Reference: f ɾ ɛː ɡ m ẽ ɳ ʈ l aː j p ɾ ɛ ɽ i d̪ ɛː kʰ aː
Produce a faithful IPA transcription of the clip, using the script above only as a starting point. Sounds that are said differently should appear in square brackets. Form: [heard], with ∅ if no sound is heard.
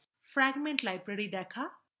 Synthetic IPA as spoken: f ɾ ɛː ɡ m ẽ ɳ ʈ l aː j p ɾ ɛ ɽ i d̪ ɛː kʰ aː